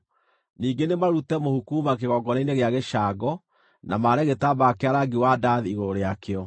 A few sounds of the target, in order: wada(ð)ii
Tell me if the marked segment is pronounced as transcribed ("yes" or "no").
yes